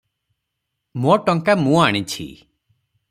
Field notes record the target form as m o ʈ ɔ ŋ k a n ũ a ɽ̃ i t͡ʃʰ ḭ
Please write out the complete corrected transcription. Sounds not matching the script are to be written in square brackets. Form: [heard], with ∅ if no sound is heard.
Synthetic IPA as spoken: m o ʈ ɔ ŋ k a [m] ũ a ɽ̃ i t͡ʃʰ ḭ